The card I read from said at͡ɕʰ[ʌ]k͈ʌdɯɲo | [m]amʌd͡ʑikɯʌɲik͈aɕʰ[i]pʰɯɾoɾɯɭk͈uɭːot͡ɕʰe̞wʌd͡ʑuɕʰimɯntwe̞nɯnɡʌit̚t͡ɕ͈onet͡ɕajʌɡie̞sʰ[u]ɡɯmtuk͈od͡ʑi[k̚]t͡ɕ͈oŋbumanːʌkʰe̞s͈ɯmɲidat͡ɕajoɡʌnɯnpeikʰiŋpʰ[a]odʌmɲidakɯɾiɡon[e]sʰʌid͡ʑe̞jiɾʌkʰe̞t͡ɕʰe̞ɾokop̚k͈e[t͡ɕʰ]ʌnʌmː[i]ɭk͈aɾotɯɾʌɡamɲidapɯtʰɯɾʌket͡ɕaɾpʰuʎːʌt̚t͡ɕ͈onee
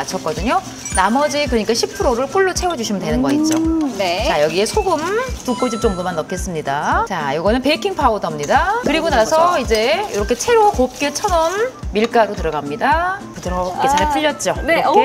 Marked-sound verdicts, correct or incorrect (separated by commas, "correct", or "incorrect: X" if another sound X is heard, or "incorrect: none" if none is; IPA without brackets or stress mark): correct, incorrect: n, correct, incorrect: o, incorrect: p̚, correct, incorrect: a, correct, correct